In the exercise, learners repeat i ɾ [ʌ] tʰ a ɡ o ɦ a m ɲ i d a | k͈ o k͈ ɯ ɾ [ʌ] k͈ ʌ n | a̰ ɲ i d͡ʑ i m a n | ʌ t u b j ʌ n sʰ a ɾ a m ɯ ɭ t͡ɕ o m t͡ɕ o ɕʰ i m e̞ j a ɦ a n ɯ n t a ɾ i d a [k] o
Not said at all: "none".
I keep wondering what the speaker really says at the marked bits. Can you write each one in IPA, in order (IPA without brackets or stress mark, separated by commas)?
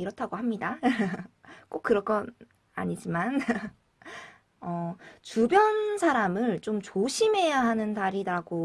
ʌ, ʌ, ɡ